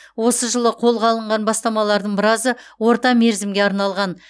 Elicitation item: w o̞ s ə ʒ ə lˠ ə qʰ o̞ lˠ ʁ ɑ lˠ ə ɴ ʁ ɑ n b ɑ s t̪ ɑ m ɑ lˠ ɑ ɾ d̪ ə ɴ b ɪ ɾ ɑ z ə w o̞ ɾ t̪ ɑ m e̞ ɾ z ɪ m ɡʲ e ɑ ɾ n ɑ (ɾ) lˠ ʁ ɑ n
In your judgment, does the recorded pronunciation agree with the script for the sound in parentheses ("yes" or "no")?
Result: no